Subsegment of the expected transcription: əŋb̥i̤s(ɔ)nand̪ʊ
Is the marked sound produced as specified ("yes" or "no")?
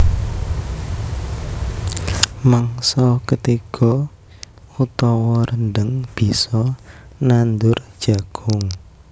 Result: yes